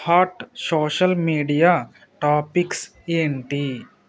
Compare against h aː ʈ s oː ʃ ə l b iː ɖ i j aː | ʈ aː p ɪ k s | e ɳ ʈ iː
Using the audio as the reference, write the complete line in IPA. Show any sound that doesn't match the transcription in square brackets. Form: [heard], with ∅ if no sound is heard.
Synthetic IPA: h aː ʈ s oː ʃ ə l [m] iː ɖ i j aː | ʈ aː p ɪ k s | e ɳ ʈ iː